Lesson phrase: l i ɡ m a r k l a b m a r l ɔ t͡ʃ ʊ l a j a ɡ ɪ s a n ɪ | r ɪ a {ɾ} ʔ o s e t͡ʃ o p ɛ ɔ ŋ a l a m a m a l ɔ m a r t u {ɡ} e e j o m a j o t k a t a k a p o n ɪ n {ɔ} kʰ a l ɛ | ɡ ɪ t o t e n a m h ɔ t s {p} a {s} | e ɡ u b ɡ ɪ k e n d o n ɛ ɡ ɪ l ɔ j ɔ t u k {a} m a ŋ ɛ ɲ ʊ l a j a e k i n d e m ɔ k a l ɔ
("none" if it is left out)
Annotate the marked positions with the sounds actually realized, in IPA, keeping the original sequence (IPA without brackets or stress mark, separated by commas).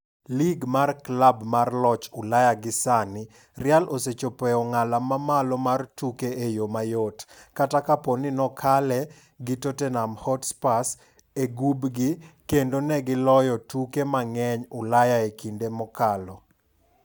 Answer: l, k, ɔ, p, s, e